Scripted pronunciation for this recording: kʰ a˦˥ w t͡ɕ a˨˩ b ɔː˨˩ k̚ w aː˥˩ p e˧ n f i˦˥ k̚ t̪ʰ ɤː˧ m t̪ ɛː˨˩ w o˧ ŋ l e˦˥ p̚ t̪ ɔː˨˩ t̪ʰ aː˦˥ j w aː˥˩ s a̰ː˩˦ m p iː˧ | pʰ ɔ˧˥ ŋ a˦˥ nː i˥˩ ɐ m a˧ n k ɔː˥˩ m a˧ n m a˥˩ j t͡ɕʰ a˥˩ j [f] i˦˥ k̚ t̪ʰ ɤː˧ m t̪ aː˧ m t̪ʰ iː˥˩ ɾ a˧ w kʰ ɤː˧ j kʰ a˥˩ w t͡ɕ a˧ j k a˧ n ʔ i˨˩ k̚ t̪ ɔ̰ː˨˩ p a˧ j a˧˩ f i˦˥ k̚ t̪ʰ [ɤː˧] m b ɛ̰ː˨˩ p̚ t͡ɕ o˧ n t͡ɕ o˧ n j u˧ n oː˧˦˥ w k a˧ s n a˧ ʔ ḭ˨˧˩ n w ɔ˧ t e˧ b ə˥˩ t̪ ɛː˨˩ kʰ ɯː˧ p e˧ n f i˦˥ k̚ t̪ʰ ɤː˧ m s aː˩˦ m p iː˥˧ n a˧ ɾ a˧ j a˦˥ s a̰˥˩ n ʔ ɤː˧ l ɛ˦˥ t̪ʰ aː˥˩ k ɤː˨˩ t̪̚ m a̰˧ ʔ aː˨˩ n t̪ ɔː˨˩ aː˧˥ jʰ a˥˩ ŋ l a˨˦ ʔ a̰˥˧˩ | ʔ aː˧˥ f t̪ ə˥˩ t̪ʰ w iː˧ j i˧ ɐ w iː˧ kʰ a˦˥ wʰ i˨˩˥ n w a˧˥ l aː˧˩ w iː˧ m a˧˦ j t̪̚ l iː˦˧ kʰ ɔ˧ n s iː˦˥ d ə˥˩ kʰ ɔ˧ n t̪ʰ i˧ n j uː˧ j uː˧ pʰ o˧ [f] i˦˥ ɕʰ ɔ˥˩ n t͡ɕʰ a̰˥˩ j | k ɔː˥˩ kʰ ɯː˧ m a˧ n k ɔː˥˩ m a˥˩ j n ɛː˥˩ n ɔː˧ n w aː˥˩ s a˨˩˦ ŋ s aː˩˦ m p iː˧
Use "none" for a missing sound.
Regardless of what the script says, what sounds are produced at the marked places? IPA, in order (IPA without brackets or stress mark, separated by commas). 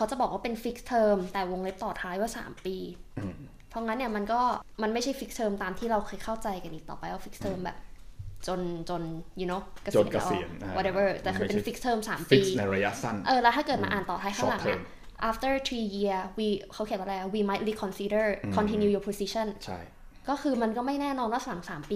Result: f, ɤː˧, s